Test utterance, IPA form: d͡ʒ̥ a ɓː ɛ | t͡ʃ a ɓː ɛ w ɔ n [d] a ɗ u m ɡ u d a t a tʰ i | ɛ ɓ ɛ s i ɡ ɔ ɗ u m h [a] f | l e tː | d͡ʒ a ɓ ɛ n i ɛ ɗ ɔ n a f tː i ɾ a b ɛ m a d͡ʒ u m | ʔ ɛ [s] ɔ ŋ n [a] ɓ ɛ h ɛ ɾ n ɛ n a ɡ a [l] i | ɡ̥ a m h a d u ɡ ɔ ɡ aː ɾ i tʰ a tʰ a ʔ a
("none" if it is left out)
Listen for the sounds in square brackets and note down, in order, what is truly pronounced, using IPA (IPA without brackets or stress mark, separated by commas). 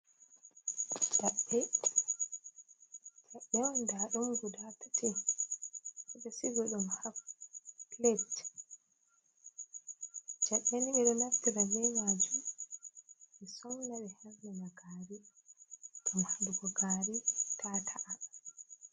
d, a, s, a, ɾ